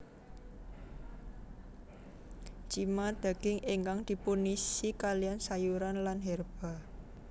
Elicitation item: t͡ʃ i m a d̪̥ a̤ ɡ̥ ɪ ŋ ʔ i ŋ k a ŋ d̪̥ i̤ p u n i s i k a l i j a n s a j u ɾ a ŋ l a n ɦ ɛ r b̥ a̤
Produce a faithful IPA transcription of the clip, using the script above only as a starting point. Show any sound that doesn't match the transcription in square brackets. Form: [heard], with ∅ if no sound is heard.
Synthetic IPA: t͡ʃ i m a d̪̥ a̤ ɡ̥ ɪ ŋ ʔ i ŋ k a ŋ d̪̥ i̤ p u n i s i k a l i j a n s a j u ɾ a [n] l a n ɦ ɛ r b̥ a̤

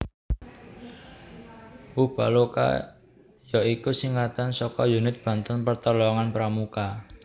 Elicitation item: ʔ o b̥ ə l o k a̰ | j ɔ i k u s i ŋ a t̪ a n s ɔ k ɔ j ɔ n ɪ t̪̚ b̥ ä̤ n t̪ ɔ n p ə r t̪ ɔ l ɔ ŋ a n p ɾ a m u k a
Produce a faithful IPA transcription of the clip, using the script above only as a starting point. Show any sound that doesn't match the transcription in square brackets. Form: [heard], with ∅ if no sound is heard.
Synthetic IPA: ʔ [u] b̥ [a] l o k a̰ | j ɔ i k u s i ŋ a t̪ a n s ɔ k ɔ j [u] n ɪ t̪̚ b̥ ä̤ n t̪ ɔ n p ə r t̪ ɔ l ɔ ŋ a n p ɾ a m u k a

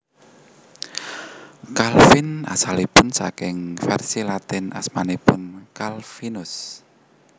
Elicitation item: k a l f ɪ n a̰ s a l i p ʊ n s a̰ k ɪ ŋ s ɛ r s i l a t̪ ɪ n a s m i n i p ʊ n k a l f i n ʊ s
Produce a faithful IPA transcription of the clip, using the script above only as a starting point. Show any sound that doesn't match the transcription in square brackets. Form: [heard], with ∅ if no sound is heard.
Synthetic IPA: k a l f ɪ n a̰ s a l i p ʊ n s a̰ k ɪ ŋ [f] ɛ r s i l a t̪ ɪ n a s m [a] n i p ʊ n k a l f i n ʊ s

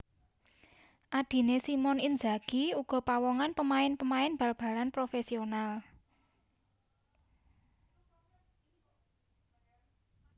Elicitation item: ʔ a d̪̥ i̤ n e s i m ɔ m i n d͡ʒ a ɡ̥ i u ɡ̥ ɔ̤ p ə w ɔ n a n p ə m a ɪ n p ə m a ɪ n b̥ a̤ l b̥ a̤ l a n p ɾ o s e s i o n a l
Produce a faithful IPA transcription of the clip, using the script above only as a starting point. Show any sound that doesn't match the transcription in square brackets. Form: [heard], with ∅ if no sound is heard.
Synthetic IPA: ʔ a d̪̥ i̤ n e s i m ɔ [n] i n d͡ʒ a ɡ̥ i u ɡ̥ ɔ̤ p [a] w ɔ [ŋ] a n p ə m a ɪ n p ə m a ɪ n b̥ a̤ l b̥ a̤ l a n p ɾ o [f] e s i o n a l

